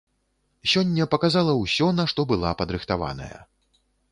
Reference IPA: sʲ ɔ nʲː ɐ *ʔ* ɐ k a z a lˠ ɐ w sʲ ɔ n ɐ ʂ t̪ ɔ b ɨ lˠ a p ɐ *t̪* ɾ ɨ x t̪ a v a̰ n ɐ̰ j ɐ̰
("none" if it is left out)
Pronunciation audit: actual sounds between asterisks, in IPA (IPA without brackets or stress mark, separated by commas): p, d̪